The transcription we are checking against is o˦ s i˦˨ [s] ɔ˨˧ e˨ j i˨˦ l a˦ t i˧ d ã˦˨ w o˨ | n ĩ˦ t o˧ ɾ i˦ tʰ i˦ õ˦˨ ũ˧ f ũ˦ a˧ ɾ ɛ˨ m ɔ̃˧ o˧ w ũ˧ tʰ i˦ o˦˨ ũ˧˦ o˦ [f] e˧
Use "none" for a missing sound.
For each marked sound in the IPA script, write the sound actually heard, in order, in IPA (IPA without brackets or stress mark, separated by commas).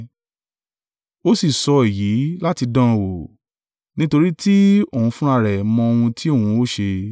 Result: s, ʃ